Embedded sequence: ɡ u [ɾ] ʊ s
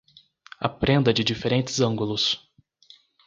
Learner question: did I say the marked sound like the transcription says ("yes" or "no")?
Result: no